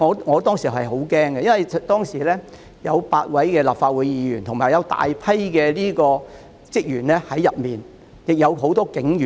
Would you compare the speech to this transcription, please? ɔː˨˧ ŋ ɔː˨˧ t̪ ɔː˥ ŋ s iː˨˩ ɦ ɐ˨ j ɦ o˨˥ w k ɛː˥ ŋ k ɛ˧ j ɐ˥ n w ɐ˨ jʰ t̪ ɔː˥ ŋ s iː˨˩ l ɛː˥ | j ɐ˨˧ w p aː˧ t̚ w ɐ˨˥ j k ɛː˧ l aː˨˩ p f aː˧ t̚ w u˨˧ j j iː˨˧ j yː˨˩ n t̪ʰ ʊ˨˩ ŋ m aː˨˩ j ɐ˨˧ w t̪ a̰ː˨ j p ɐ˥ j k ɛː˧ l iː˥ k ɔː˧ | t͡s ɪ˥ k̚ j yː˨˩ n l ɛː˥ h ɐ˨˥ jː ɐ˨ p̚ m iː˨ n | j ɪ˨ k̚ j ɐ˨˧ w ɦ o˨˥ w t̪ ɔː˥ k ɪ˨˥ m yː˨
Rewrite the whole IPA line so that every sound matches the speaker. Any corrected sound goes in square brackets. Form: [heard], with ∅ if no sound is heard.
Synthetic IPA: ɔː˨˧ ŋ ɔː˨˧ t̪ ɔː˥ ŋ s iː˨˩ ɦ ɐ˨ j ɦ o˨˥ w k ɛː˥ ŋ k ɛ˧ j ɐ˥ n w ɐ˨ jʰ t̪ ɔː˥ ŋ s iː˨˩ l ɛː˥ | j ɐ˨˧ w p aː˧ t̚ w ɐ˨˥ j k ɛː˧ l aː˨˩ p f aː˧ t̚ w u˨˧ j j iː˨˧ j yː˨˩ n t̪ʰ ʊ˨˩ ŋ m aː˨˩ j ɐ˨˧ w t̪ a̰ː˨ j [pʰ] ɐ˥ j k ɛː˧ l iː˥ k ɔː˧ | t͡s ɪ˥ k̚ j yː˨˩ n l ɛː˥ h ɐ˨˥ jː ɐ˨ p̚ m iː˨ n | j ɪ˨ k̚ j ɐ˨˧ w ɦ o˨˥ w t̪ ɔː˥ k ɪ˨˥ [ŋ] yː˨

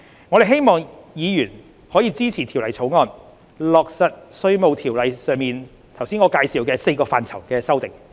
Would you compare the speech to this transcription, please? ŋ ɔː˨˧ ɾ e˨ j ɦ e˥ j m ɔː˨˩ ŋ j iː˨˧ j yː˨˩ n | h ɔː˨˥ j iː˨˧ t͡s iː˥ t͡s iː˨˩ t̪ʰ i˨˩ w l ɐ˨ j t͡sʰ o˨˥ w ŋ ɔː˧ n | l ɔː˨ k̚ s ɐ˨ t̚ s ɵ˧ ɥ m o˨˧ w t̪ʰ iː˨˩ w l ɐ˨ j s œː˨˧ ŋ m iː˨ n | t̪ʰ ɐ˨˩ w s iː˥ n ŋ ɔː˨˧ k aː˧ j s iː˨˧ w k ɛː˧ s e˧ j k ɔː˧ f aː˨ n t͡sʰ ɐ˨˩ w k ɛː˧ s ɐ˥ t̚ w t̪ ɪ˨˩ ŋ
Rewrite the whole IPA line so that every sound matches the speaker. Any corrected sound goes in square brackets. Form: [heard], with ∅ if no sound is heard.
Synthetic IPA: ŋ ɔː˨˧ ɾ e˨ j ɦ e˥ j m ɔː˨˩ ŋ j iː˨˧ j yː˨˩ n | h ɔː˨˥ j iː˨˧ t͡s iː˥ [t͡sʰ] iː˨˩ t̪ʰ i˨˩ w l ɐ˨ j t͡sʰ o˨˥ w ŋ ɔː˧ n | l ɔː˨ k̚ s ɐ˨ t̚ s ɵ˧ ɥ m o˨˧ w t̪ʰ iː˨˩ w l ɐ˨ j s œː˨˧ ŋ m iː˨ n | t̪ʰ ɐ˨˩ w s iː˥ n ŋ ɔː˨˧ k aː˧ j s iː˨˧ w k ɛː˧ s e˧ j k ɔː˧ f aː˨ n t͡sʰ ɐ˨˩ w k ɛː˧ s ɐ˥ [∅] w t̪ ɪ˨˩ ŋ

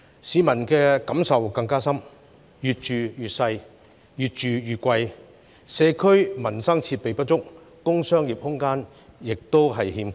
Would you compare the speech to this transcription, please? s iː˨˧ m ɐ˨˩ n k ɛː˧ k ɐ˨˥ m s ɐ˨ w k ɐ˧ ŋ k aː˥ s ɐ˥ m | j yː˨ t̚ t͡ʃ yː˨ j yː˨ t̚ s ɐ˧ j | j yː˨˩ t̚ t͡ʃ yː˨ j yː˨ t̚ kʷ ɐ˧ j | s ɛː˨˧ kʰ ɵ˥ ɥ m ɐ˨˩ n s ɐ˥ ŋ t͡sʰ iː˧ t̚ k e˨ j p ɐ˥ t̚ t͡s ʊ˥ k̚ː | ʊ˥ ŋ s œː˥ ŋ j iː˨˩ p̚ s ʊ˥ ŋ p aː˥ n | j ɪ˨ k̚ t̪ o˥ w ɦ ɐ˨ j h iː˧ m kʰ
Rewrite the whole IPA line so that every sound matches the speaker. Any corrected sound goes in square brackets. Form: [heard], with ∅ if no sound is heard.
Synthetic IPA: s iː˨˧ m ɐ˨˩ n k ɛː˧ k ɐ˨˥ m s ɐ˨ w k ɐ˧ ŋ k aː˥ s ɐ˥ m | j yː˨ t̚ t͡ʃ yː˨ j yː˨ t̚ s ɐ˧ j | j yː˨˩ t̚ t͡ʃ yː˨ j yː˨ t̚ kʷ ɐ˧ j | s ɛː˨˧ kʰ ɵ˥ ɥ m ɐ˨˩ n s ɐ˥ ŋ t͡sʰ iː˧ t̚ [p] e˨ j p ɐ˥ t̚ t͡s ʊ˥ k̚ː | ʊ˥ ŋ s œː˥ ŋ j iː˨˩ p̚ [h] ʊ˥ ŋ [k] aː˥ n | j ɪ˨ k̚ t̪ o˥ w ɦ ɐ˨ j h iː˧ m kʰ

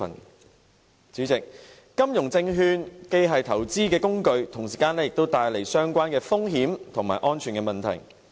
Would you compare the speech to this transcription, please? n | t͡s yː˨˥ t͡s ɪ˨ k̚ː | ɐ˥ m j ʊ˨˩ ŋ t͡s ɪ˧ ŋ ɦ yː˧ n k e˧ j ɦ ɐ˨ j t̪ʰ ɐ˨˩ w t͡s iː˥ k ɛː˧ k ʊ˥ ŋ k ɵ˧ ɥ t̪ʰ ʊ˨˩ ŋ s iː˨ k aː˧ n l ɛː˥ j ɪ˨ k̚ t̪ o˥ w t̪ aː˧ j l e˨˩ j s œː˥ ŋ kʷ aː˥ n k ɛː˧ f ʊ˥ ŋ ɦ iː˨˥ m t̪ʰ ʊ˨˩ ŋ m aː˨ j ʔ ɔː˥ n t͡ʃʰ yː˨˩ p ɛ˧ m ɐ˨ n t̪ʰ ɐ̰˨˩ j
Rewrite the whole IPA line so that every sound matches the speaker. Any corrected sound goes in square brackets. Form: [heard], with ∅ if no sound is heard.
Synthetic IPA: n | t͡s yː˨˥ t͡s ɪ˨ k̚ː | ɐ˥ m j ʊ˨˩ ŋ t͡s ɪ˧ ŋ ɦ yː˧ n k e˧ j ɦ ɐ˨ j t̪ʰ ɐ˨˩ w t͡s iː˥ k ɛː˧ k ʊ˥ ŋ k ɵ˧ ɥ t̪ʰ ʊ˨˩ ŋ s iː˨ k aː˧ n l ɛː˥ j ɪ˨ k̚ t̪ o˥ w t̪ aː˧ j l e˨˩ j s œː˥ ŋ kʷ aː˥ n k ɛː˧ f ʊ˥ ŋ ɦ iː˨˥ m t̪ʰ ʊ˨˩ ŋ m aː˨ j ʔ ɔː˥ n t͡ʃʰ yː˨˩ [k] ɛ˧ m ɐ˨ n t̪ʰ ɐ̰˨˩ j

